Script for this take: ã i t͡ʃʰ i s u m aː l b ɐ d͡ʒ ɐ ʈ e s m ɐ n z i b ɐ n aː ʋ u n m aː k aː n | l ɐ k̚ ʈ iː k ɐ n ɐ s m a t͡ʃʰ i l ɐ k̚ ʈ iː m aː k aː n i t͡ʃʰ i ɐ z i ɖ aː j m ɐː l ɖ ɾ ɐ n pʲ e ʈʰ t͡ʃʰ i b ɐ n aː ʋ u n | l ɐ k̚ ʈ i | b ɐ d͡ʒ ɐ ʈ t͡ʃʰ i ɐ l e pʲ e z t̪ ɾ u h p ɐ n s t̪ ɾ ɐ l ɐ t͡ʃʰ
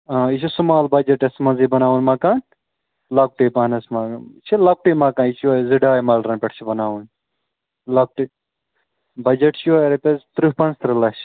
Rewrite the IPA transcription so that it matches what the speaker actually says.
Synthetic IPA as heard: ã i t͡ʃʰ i s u m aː l b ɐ d͡ʒ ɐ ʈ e s m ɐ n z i b ɐ n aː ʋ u n m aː k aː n | l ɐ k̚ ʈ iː p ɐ n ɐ s m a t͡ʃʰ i l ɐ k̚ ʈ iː m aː k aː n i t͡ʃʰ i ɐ z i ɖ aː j m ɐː l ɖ ɾ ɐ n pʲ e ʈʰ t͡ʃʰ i b ɐ n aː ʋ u n | l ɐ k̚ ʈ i | b ɐ d͡ʒ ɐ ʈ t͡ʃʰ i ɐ ɾ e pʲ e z t̪ ɾ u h p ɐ n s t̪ ɾ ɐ l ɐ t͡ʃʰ